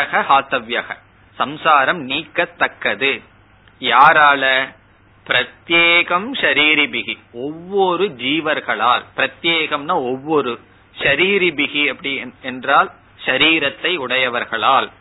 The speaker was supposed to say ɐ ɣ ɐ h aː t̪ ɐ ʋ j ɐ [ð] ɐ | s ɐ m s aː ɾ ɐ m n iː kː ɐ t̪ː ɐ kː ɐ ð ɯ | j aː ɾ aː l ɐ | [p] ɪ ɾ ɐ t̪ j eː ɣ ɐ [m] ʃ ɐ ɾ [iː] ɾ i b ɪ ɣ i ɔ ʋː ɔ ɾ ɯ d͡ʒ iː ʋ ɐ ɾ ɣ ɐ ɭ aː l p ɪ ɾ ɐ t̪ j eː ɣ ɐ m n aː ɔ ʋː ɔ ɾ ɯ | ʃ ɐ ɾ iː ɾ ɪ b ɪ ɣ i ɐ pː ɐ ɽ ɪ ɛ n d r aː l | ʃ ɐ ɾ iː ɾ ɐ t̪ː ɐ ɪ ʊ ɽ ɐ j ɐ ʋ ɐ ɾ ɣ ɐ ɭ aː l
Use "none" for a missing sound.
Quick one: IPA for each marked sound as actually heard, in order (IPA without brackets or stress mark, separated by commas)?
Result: ɣ, p, m, iː